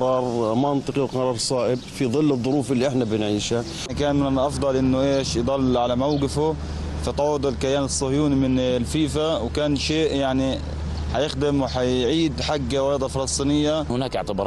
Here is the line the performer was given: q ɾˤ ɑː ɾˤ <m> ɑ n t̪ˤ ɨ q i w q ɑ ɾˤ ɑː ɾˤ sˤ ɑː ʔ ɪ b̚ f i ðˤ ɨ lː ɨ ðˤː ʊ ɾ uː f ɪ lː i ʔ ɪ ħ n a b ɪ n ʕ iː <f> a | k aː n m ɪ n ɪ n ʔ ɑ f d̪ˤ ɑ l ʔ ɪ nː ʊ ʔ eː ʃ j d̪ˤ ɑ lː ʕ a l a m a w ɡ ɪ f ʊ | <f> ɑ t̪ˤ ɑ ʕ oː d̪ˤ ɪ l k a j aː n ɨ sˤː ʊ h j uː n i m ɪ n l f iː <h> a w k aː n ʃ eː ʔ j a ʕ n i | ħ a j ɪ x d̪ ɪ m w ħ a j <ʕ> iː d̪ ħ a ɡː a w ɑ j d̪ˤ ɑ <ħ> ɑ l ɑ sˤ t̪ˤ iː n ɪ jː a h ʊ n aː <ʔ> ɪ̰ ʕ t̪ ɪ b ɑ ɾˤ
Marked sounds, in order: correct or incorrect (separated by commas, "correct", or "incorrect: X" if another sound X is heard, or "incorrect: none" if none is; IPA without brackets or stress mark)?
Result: correct, incorrect: ʃ, correct, incorrect: f, correct, incorrect: f, incorrect: k